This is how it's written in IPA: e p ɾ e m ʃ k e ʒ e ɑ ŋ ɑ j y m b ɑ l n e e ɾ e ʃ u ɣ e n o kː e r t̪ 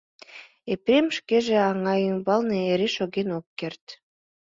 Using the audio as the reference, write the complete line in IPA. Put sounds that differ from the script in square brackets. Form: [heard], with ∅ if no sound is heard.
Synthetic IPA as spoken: e p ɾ e m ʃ k e ʒ e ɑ ŋ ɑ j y m b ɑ l n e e ɾ e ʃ [o] ɣ e n o kː e r t̪